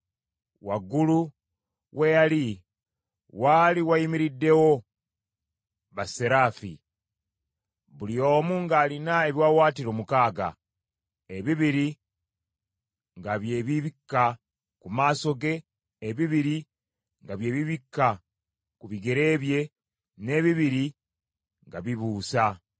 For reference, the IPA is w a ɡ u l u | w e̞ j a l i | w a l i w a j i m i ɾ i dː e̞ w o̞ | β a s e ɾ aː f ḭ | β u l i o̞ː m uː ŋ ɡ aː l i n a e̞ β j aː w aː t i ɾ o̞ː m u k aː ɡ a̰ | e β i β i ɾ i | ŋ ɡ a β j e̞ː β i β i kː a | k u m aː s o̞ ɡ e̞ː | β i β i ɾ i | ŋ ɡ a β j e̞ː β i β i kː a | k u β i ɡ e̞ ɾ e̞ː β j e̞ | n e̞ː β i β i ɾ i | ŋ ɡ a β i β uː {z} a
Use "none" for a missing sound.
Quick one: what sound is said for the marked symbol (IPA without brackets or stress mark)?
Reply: s